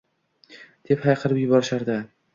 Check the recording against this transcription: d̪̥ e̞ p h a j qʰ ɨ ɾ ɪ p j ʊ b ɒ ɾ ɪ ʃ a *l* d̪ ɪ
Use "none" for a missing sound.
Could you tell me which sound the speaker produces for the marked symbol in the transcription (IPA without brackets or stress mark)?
ɾ